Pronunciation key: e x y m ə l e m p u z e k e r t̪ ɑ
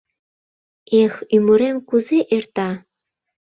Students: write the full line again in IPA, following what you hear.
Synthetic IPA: e x y m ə ɾ e m k u z e ʔ e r t̪ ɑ